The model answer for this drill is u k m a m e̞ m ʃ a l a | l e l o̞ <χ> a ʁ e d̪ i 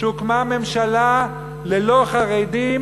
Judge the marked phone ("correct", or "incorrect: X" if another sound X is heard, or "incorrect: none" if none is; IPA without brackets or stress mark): correct